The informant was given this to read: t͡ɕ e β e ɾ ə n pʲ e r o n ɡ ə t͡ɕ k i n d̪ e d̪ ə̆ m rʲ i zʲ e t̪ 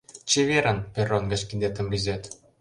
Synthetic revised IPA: t͡ɕ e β e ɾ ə n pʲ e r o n ɡ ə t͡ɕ k i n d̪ e t̪ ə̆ m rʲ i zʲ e t̪